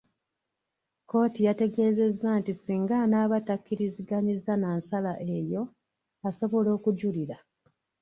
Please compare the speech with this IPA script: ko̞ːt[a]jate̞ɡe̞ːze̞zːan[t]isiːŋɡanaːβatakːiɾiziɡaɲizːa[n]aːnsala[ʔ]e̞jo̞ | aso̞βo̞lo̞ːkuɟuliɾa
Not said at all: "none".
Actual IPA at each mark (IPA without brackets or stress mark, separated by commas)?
i, t, n, ʔ